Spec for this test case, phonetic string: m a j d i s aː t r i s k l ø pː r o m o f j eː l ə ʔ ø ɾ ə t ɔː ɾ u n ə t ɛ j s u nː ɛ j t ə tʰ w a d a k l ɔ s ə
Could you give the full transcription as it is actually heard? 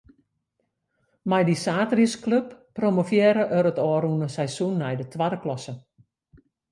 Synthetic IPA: m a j d i s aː t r i s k l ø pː r o m o f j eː ɾ ə ʔ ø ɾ ə t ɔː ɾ u n ə s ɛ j s u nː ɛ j d ə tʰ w a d ə k l ɔ s ə